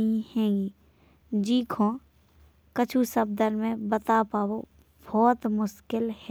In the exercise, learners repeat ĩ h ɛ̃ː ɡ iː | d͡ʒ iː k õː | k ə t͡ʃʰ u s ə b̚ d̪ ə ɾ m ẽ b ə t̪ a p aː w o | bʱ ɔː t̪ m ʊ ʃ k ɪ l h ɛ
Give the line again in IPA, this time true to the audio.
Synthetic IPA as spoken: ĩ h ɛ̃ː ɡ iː | d͡ʒ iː kʰ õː | k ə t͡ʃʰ u s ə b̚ d̪ ə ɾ m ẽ b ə t̪ a p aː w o | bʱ ɔː t̪ m ʊ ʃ k ɪ l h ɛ